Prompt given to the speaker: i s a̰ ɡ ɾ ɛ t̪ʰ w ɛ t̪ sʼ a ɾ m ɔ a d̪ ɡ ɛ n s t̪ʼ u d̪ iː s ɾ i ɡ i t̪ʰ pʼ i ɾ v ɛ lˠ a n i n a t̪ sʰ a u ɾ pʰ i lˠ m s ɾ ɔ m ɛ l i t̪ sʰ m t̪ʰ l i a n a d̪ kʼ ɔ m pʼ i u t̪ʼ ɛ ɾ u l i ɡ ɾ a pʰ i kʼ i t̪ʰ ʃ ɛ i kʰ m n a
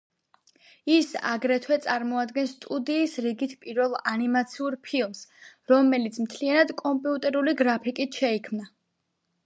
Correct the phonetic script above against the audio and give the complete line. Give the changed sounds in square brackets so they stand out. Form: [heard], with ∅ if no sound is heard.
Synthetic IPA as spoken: i s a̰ ɡ ɾ ɛ t̪ʰ w ɛ t̪ sʼ a ɾ m ɔ a d̪ ɡ ɛ n s t̪ʼ u d̪ iː s ɾ i ɡ i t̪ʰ pʼ i ɾ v ɛ lˠ a n i [m] a t̪ sʰ [i] u ɾ pʰ i lˠ m s ɾ ɔ m ɛ l i t̪ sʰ m t̪ʰ l i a n a d̪ kʼ ɔ m pʼ i u t̪ʼ ɛ ɾ u l i ɡ ɾ a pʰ i kʼ i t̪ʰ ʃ ɛ i kʰ m n a